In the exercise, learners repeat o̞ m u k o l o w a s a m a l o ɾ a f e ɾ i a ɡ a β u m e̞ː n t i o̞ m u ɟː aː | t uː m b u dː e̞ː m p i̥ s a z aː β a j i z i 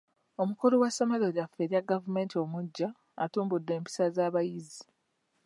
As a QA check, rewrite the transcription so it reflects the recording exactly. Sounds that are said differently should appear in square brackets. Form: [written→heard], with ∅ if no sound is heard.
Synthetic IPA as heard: o̞ m u k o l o w a s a m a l o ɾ a f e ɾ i a ɡ a [β→v] u m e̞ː n t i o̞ m u ɟː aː | t uː m b u dː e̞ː m p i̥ s a z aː β a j i z i